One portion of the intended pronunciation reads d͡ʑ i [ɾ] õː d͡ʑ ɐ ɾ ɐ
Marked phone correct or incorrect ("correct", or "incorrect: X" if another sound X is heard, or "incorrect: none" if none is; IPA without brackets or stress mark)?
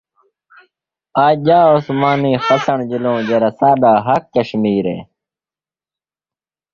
incorrect: l